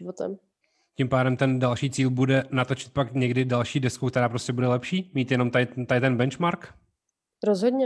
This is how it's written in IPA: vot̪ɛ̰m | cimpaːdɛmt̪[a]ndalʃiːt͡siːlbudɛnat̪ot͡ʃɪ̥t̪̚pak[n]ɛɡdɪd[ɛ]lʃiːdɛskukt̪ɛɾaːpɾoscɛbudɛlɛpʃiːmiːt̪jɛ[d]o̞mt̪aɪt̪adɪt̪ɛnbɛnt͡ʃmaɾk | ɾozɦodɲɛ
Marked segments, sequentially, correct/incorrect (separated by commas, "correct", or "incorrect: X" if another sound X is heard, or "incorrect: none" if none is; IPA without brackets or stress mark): incorrect: ɛ, incorrect: ɲ, incorrect: a, incorrect: n